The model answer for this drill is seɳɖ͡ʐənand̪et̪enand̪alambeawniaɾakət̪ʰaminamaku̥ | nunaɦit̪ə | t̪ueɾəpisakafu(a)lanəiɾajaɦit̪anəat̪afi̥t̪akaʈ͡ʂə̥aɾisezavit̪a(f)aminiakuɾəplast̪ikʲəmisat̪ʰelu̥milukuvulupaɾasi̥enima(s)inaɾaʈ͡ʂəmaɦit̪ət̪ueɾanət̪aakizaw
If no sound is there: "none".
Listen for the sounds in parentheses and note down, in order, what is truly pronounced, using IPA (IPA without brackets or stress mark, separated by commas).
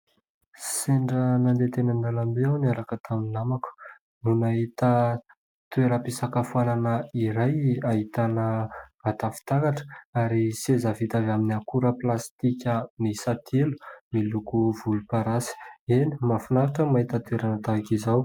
a, v, f